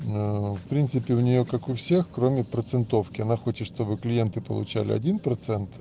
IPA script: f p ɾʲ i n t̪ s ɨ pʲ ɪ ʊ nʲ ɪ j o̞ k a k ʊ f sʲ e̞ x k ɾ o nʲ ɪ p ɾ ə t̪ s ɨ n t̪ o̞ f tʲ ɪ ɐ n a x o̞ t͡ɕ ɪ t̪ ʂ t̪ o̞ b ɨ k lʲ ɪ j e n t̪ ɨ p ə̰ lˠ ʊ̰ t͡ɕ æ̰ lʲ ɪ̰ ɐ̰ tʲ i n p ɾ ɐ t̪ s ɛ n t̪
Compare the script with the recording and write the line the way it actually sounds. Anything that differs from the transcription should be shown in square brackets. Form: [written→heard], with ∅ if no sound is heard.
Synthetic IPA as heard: f p ɾʲ i n t̪ s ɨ pʲ ɪ ʊ nʲ ɪ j o̞ k a k ʊ f sʲ e̞ x k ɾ o [nʲ→mʲ] ɪ p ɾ ə t̪ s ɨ n t̪ o̞ f [tʲ→kʲ] ɪ ɐ n a x o̞ t͡ɕ ɪ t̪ ʂ t̪ o̞ b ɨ k lʲ ɪ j e n t̪ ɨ p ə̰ lˠ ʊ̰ t͡ɕ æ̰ lʲ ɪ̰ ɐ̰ [tʲ→dʲ] i n p ɾ ɐ t̪ s ɛ n t̪